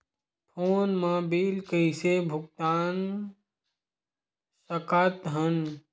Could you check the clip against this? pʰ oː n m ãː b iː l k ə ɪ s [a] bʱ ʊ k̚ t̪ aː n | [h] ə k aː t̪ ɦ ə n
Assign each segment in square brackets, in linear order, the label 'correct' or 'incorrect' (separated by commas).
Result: incorrect, incorrect